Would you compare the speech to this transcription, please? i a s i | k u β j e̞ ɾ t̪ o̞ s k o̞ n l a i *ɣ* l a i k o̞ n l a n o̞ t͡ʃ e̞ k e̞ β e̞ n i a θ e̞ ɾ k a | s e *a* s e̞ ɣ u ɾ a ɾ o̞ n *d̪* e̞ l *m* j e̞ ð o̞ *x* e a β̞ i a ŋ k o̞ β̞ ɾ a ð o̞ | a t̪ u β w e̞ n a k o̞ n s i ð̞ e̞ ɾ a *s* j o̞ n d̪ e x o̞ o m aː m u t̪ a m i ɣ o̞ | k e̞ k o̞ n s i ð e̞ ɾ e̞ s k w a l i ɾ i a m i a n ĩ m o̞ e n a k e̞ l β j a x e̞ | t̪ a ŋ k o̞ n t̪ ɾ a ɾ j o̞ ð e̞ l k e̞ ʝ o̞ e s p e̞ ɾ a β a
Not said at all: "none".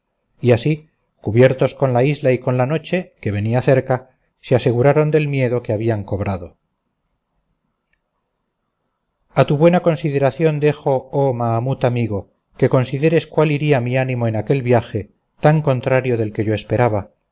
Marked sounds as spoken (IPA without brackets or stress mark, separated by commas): z, a, d̪, m, k, θ